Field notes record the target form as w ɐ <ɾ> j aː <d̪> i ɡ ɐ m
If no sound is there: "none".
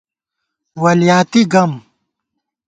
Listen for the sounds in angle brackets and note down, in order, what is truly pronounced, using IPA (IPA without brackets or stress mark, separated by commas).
l, t̪